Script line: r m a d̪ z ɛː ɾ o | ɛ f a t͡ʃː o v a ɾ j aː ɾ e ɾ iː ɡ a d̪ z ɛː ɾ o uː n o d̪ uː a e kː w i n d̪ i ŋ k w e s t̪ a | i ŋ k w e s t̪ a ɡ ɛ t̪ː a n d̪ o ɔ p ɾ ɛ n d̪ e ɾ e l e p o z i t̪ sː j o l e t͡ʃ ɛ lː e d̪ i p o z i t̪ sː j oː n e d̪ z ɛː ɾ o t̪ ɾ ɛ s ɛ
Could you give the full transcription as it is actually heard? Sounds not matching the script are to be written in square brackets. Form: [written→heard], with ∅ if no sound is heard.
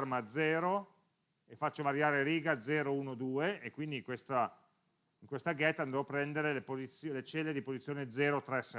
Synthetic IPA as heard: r m a d̪ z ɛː ɾ o | [ɛ→e] f a t͡ʃː o v a ɾ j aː ɾ e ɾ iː ɡ a d̪ z ɛː ɾ o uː n o d̪ uː [a→e] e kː w i n d̪ i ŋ k w e s t̪ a | i ŋ k w e s t̪ a ɡ ɛ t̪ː a n d̪ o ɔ p ɾ ɛ n d̪ e ɾ e l e p o z i t̪ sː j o l e t͡ʃ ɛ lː e d̪ i p o z i t̪ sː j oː n e d̪ z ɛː ɾ o t̪ ɾ ɛ s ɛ